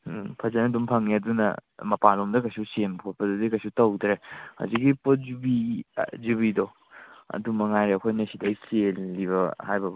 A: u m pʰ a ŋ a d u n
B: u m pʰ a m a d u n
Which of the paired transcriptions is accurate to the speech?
A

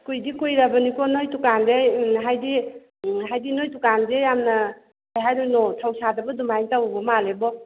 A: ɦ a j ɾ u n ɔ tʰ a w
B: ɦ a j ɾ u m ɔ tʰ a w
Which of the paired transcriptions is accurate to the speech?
A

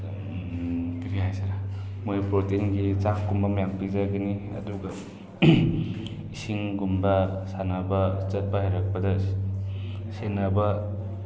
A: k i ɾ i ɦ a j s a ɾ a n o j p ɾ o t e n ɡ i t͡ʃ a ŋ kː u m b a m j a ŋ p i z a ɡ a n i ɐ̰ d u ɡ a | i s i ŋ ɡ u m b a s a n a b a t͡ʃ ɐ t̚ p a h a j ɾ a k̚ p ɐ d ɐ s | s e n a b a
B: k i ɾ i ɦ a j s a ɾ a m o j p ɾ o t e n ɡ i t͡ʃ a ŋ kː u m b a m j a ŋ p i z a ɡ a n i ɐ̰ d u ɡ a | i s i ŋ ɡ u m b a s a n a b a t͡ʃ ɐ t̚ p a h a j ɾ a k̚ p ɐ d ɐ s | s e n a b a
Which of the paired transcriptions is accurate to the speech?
B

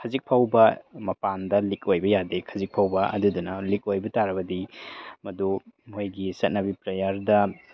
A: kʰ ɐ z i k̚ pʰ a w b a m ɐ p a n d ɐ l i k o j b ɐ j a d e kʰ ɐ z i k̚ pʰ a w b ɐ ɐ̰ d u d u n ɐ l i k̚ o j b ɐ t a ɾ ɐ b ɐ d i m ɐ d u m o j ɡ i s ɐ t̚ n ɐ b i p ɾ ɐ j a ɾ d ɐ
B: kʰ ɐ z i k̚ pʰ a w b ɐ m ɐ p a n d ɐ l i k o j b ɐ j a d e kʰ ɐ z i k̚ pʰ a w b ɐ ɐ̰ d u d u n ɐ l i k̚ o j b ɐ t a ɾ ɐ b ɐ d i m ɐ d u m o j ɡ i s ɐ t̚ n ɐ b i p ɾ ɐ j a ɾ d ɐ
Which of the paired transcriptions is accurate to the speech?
B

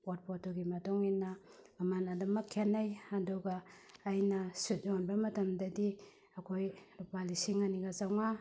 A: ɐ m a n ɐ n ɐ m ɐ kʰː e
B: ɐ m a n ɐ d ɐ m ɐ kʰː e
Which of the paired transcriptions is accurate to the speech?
B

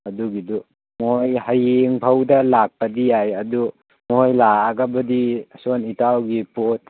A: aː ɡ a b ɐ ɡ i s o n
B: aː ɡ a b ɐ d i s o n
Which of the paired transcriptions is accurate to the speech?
B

